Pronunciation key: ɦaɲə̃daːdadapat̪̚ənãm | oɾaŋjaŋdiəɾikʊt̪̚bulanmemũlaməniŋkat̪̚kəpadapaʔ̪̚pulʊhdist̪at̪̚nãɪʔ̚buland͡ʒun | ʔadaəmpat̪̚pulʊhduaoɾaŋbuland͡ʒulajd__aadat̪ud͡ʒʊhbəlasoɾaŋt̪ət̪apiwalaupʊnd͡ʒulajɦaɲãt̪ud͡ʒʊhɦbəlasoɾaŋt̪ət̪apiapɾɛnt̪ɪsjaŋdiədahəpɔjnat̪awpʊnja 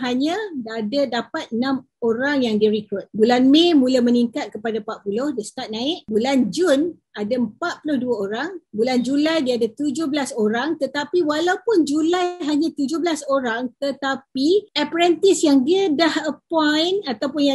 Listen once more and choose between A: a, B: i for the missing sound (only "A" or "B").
B